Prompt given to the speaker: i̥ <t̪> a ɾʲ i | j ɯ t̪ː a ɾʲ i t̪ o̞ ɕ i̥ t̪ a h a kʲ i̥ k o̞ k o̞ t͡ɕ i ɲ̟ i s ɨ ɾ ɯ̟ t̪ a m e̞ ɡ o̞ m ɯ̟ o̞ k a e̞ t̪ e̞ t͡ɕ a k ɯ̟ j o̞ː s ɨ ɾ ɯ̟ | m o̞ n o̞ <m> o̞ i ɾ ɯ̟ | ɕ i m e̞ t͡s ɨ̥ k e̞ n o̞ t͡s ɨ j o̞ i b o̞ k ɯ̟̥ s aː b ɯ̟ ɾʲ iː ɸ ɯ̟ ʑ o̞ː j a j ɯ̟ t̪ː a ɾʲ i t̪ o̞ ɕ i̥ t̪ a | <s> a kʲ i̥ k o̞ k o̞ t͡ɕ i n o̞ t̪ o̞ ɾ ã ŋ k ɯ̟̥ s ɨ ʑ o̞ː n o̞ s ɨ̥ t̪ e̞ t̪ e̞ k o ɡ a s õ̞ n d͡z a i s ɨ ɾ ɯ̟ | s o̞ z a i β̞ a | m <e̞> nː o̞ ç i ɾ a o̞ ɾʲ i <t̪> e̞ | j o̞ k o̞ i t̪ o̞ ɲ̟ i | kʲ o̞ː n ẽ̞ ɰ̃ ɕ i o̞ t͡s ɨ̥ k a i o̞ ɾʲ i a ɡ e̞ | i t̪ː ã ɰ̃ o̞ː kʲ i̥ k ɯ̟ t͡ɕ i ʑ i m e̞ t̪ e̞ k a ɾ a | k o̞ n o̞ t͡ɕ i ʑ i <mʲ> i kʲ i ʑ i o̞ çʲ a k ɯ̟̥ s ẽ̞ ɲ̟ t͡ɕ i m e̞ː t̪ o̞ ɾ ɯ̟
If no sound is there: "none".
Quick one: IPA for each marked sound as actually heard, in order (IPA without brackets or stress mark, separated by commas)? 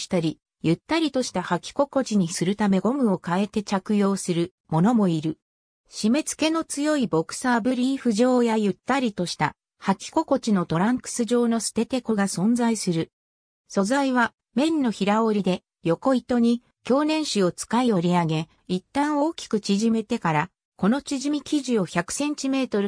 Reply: t̪, m, h, ẽ̞, d̪, mʲ